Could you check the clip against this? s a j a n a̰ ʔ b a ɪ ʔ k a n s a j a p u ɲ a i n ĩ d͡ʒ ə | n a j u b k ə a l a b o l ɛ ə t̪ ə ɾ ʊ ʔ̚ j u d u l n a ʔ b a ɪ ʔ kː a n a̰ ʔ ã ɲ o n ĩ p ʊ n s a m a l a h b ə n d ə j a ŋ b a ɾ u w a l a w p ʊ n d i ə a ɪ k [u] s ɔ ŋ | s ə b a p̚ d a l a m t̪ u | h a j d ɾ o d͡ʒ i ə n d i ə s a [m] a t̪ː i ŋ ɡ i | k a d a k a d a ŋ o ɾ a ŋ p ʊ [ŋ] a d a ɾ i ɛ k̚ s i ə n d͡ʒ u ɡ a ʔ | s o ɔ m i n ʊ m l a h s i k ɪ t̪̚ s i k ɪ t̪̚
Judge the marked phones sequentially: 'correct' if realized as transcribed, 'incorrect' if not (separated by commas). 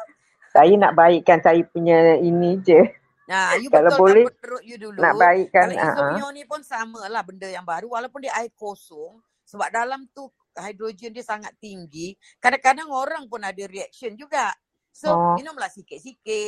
incorrect, incorrect, incorrect